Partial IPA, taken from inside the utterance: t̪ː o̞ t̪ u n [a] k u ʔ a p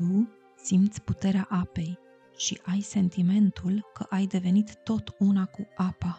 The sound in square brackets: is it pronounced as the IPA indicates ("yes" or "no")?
yes